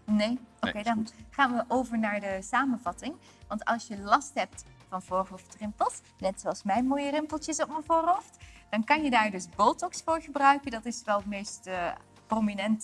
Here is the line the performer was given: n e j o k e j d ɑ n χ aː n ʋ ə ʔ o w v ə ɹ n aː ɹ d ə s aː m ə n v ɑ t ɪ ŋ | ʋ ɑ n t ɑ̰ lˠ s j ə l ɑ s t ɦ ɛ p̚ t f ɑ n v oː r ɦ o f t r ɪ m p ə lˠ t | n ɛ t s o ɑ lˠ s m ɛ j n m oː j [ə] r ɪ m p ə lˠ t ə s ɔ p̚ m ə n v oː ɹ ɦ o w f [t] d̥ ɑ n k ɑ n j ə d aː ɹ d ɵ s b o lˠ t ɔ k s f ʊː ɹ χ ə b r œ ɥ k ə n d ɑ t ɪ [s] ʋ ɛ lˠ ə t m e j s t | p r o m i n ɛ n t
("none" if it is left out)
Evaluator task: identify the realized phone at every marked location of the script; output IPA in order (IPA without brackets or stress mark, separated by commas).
ə, t, s